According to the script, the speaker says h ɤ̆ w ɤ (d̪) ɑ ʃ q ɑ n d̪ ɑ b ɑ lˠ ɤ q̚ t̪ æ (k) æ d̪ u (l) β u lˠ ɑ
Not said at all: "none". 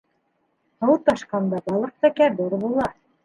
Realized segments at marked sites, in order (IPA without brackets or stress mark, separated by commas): t̪, k, ɾ